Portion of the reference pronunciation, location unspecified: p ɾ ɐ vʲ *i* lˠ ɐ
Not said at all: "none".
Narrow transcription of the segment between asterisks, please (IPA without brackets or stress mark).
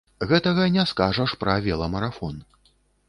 ɛ